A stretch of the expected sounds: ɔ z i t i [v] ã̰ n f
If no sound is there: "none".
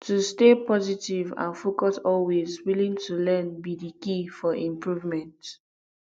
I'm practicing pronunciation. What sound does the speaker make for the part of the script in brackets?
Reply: v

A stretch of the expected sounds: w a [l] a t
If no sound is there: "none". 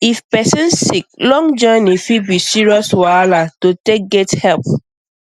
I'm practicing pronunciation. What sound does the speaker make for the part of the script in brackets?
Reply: l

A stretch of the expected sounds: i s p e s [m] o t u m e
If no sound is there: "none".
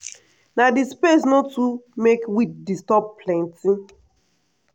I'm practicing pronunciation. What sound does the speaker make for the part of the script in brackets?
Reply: n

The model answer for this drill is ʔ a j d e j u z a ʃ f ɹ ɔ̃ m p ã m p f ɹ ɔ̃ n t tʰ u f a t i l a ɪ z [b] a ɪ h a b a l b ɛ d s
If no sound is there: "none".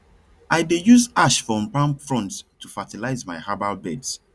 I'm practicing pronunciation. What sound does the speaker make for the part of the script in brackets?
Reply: m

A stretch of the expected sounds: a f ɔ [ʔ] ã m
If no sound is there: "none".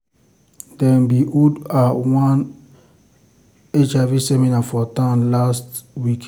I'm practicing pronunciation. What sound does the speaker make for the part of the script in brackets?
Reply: t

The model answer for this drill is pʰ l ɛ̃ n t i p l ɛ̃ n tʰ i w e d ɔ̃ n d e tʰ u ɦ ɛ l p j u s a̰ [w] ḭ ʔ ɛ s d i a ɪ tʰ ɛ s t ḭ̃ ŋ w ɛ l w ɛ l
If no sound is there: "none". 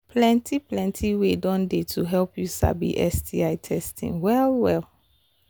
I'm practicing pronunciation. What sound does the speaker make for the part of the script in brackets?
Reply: b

